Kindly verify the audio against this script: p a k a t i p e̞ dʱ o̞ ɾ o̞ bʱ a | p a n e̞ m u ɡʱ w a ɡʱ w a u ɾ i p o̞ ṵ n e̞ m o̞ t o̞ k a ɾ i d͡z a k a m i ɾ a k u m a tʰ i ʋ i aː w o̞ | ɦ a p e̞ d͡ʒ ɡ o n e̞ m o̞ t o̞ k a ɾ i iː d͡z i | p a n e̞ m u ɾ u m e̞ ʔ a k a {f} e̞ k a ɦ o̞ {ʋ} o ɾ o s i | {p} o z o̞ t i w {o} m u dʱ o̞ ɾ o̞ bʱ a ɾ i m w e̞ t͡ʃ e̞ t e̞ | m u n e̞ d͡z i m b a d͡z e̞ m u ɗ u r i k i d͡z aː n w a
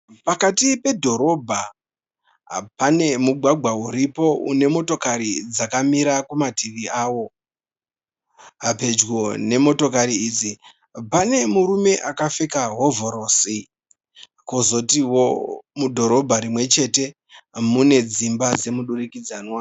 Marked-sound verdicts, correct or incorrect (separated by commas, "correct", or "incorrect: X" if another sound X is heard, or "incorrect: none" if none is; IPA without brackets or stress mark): correct, incorrect: v, incorrect: k, correct